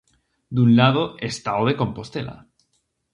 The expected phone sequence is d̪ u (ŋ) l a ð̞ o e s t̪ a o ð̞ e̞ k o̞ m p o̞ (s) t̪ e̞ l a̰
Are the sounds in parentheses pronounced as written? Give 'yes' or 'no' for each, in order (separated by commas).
no, yes